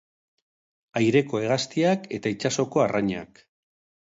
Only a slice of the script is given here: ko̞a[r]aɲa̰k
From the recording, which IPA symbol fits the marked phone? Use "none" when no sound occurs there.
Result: r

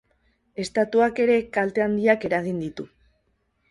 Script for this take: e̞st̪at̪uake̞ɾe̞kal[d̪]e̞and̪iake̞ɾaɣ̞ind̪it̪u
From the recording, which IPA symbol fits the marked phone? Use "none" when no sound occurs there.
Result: t̪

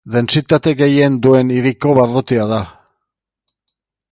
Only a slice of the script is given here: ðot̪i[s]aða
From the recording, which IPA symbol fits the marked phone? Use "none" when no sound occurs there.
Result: none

